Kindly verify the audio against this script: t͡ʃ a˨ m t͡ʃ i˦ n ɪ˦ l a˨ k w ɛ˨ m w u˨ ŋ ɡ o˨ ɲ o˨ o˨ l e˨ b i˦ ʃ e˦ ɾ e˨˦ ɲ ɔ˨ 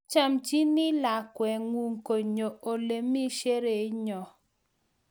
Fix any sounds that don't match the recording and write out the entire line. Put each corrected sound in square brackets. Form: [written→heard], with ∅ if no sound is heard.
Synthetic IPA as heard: t͡ʃ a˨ m t͡ʃ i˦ n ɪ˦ l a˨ k w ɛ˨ [m→ŋ] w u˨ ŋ [ɡ→k] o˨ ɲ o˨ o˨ l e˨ [b→m] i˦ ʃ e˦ ɾ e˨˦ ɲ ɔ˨